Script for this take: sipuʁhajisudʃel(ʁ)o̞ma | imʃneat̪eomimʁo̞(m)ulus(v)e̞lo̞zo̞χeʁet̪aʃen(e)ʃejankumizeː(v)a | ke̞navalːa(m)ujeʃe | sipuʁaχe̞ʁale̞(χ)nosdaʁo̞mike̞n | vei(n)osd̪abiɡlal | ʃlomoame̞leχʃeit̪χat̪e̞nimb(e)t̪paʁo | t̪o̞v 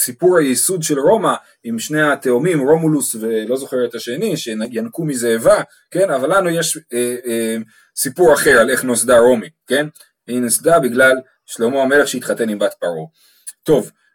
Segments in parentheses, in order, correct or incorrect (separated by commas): correct, correct, correct, incorrect, correct, incorrect, correct, correct, incorrect